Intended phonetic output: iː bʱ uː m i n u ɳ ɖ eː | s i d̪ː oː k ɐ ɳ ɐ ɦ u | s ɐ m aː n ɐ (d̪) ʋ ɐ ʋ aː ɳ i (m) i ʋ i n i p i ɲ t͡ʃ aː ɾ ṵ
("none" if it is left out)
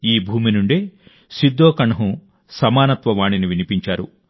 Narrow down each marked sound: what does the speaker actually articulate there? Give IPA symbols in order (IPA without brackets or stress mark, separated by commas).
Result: t̪, n